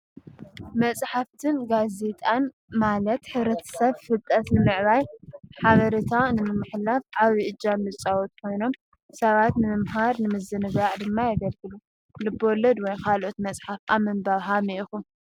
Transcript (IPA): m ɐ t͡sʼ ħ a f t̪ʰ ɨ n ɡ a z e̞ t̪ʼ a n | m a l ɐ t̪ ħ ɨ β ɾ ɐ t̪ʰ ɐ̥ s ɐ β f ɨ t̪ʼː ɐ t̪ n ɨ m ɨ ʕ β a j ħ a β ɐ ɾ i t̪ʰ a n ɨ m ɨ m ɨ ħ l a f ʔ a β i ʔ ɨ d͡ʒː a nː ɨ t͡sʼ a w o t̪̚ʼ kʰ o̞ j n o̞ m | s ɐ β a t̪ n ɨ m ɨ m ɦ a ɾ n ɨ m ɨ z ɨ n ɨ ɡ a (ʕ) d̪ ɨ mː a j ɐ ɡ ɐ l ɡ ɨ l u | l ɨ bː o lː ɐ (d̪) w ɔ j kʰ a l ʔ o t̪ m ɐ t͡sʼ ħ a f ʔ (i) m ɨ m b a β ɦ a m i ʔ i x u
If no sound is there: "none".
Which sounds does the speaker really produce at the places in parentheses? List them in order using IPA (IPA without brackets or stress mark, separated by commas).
ʕ, d̪, a